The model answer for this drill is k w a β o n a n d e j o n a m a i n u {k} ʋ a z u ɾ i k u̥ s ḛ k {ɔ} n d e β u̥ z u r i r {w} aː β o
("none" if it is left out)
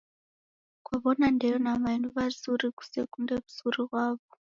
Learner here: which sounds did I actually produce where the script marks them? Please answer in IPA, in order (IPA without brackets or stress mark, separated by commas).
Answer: none, u, w